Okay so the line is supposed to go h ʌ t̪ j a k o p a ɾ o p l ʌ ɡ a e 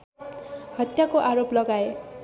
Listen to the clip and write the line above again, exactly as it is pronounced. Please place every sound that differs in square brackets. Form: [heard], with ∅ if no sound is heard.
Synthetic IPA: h ʌ t̪ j a k o [ʔ] a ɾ o p l ʌ ɡ a e

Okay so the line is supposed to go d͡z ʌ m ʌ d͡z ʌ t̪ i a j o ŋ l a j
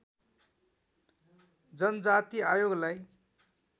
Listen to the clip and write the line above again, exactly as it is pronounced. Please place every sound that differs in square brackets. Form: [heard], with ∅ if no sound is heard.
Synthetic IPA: d͡z ʌ [n] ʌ d͡z [a] t̪ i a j o [ɡ] l a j

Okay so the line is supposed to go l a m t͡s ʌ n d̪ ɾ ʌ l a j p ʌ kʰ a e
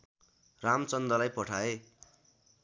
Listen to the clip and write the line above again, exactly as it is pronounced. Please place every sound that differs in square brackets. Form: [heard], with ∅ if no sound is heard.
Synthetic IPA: [r] a m t͡s ʌ n d̪ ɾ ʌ l a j p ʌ [ʈʰ] a e

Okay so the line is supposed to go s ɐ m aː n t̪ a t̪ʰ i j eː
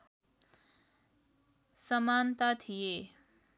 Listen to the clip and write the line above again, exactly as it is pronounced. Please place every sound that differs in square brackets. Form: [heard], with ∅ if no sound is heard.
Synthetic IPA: s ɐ m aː n t̪ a t̪ʰ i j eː

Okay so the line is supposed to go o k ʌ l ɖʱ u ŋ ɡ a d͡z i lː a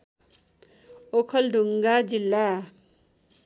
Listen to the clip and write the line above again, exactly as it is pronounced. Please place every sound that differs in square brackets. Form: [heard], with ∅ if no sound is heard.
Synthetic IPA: o [kʰ] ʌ l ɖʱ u ŋ ɡ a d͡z i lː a

